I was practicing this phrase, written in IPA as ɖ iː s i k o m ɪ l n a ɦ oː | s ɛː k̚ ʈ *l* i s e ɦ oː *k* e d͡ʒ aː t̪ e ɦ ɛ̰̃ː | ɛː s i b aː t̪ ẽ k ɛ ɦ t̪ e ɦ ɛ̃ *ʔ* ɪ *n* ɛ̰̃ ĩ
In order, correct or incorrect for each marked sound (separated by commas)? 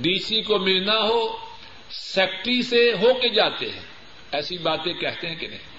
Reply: incorrect, correct, incorrect, correct